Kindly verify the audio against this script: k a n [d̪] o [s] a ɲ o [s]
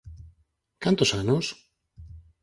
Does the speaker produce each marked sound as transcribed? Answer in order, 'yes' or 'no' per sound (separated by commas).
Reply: no, yes, yes